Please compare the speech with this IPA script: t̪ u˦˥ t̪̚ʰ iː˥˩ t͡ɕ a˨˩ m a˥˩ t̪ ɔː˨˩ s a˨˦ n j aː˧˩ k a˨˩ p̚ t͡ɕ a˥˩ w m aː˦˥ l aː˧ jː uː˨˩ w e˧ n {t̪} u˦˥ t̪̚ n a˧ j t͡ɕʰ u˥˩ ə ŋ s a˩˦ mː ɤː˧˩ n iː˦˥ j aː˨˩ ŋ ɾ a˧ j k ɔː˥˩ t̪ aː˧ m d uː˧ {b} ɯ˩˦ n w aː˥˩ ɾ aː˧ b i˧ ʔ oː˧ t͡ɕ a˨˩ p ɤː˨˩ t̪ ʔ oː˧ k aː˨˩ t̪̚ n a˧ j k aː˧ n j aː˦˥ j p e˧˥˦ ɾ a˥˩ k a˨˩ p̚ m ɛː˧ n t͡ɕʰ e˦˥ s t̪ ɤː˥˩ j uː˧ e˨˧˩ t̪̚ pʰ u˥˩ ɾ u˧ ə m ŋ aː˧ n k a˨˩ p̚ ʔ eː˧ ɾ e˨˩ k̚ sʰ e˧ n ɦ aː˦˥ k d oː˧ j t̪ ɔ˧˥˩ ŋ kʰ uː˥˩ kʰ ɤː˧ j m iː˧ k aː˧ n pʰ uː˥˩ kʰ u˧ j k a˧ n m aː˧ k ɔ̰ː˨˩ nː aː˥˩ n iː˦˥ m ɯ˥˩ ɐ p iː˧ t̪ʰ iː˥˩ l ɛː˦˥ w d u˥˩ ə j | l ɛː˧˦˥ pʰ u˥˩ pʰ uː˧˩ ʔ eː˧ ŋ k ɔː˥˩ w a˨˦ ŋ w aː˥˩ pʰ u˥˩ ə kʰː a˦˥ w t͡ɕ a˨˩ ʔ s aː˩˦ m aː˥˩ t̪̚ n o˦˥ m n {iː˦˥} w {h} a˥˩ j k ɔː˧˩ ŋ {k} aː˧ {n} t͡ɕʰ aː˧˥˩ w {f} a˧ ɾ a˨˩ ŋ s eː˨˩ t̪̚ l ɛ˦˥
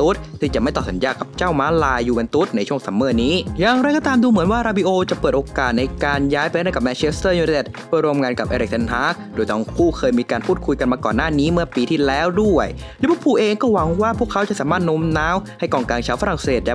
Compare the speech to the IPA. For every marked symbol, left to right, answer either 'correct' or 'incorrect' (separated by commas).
correct, incorrect, incorrect, correct, correct, incorrect, correct